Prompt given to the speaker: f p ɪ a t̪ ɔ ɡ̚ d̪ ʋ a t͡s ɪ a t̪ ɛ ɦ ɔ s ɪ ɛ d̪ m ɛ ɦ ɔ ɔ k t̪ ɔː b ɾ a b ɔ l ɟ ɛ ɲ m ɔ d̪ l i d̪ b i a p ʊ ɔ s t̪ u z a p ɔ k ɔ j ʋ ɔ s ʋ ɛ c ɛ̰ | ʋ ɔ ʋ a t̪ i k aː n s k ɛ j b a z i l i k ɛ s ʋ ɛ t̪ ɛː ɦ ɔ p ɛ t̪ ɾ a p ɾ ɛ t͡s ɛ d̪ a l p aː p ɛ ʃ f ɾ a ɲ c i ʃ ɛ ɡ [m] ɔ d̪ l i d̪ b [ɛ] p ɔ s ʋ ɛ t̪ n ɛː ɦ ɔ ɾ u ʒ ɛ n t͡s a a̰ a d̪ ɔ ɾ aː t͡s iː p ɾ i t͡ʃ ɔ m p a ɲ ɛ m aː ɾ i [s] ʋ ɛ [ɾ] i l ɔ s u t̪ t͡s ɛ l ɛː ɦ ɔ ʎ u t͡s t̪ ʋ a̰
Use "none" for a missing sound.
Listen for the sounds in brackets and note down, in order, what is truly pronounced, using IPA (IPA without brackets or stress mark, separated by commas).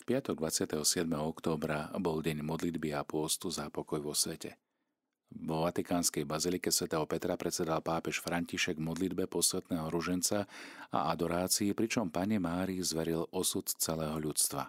m, ɛ, z, ɾ